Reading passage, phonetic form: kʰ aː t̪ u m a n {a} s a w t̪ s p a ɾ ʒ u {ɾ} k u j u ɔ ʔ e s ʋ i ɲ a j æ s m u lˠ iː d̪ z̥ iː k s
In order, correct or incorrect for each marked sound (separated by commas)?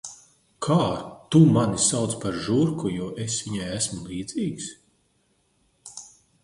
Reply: incorrect, correct